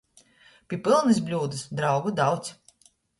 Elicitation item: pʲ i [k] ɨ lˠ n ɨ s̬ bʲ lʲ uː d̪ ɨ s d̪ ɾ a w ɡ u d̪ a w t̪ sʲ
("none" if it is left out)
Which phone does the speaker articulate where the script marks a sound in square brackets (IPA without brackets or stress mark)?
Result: p